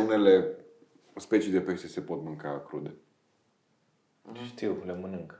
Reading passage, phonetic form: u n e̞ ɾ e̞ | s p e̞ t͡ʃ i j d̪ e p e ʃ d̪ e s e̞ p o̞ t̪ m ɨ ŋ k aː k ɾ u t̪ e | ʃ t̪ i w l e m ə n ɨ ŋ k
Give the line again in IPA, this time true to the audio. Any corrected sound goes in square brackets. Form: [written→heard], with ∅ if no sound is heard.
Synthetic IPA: u n e̞ [ɾ→l] e̞ | s p e̞ t͡ʃ i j d̪ e p e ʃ [d̪→t̪] e s e̞ p o̞ t̪ m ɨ ŋ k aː k ɾ u [t̪→d̪] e | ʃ t̪ i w l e m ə n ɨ ŋ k